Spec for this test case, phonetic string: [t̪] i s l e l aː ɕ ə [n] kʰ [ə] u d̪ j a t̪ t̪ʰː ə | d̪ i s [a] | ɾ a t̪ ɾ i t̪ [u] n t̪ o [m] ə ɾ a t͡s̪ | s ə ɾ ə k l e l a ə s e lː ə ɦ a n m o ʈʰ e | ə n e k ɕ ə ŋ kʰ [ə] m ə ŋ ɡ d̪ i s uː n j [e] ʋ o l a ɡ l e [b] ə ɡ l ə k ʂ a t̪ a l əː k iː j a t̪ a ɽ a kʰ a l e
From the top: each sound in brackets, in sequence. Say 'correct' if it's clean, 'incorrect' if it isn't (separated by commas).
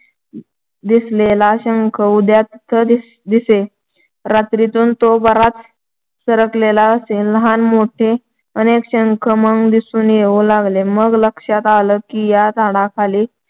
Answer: incorrect, incorrect, correct, incorrect, incorrect, incorrect, correct, correct, incorrect